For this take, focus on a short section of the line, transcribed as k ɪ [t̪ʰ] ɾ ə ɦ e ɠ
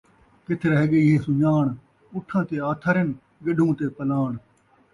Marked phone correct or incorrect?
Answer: correct